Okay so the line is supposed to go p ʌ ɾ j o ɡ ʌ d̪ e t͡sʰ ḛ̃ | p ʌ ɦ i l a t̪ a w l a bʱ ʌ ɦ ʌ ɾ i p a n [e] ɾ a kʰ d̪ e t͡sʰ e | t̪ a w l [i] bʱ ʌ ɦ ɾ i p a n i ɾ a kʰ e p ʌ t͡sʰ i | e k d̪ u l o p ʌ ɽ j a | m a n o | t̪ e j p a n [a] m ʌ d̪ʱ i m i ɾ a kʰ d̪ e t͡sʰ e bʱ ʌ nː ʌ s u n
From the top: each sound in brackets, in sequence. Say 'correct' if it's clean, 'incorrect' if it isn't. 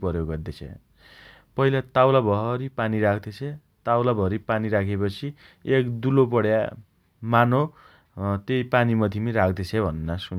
incorrect: i, incorrect: a, incorrect: i

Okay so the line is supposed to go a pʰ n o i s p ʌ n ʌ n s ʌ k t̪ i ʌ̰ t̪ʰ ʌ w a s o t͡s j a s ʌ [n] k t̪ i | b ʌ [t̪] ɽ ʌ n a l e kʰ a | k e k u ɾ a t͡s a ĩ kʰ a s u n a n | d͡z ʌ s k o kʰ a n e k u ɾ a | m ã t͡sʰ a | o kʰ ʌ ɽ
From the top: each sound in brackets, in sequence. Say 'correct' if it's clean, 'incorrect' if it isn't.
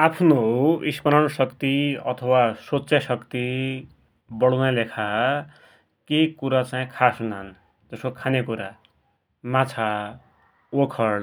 incorrect: none, incorrect: none

